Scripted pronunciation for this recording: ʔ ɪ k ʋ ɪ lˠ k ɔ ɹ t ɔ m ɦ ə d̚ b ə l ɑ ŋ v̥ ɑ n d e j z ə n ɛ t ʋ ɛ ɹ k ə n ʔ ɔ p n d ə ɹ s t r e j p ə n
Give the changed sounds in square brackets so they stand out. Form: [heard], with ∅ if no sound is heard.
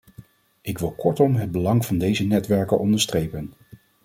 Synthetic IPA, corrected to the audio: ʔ ɪ k ʋ ɪ lˠ k ɔ ɹ t ɔ m ɦ ə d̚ b ə l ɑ ŋ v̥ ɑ n d e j z ə n ɛ t ʋ ɛ ɹ k ə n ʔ ɔ [∅] n d ə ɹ s t r e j p ə n